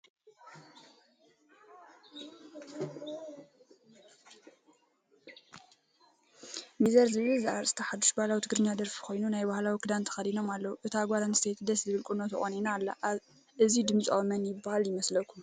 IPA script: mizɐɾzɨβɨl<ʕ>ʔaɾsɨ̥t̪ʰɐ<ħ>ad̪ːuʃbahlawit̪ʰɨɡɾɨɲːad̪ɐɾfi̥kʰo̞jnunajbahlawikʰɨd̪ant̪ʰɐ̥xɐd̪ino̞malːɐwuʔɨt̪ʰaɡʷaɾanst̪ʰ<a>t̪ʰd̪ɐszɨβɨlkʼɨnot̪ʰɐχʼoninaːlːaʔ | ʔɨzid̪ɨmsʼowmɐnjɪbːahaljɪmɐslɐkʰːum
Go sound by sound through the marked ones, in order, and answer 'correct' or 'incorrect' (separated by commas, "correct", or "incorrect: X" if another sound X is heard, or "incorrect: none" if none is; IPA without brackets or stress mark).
incorrect: z, correct, incorrect: e